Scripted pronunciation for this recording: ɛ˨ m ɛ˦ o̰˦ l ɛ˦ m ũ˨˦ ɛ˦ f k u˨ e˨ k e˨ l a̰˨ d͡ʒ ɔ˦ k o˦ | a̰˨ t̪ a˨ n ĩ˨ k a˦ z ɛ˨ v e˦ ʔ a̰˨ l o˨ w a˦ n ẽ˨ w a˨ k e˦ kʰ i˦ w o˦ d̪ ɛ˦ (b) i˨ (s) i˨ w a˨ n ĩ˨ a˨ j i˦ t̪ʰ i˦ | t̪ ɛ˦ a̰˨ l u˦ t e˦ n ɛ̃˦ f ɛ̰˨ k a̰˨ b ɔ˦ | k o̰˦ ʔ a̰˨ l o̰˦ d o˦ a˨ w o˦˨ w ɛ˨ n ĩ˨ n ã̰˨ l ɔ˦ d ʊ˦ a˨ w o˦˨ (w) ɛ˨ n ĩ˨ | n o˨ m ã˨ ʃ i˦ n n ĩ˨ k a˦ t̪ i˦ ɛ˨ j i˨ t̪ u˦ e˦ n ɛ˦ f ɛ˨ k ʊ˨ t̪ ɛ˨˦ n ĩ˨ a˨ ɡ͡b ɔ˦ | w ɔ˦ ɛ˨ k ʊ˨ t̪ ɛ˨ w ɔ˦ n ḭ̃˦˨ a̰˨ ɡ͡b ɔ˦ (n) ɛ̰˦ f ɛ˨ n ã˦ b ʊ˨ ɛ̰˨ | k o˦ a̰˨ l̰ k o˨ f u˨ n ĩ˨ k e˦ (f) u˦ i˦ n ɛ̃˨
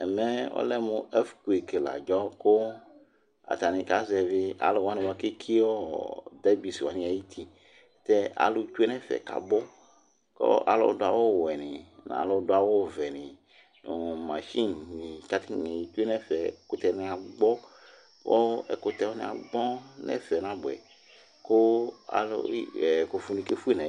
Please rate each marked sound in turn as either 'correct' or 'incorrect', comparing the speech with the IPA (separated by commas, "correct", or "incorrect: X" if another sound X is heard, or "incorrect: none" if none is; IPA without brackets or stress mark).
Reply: correct, correct, incorrect: v, correct, correct